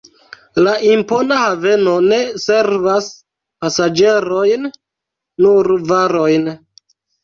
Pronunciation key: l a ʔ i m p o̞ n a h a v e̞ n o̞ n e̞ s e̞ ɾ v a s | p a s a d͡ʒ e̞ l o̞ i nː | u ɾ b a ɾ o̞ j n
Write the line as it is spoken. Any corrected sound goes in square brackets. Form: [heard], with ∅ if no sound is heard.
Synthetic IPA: l a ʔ i m p o̞ n a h a v e̞ n o̞ n e̞ s e̞ ɾ v a s | p a s a d͡ʒ e̞ [ɾ] o̞ [j] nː | u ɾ [v] a ɾ o̞ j n